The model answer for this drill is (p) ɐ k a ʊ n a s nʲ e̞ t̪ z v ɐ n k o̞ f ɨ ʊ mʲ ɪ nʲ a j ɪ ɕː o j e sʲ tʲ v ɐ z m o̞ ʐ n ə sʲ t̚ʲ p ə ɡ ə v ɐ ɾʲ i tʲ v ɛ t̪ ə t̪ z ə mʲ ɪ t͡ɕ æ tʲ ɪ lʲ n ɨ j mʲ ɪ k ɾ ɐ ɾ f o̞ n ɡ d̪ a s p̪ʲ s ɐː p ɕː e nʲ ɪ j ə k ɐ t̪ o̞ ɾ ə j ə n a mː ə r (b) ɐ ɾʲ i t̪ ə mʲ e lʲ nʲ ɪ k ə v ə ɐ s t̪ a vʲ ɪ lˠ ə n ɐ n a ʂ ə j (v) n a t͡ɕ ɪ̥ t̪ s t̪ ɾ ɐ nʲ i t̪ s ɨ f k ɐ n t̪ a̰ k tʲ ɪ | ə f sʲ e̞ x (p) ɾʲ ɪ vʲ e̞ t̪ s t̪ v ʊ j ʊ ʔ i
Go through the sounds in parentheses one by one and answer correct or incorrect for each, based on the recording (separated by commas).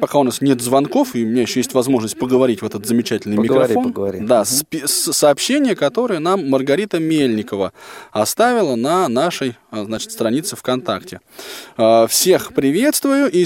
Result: correct, incorrect, incorrect, correct